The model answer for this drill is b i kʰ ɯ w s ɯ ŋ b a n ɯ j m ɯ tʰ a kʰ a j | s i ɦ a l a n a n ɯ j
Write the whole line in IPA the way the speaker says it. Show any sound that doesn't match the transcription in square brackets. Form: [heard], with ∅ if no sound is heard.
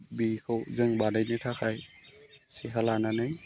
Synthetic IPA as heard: b i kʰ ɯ w [z] ɯ ŋ b a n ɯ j [n] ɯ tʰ a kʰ a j | s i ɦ a l a n a n ɯ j